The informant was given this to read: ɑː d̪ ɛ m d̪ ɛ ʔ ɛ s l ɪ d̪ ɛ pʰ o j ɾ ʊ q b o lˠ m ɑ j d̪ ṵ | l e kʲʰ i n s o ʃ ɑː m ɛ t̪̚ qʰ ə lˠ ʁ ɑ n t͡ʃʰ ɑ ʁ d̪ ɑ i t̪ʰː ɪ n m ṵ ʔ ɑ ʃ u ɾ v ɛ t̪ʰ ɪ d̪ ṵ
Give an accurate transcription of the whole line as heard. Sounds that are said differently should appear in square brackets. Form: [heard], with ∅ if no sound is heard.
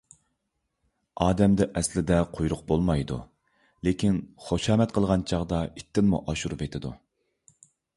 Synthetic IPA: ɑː d̪ ɛ m d̪ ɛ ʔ ɛ s l ɪ d̪ ɛ [qʰ] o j ɾ ʊ q b o lˠ m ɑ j d̪ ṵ | l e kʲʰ i n [χ] o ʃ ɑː m ɛ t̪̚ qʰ ə lˠ ʁ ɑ n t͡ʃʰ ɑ ʁ d̪ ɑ i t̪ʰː ɪ n m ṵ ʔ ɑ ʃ u ɾ v [e] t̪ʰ ɪ d̪ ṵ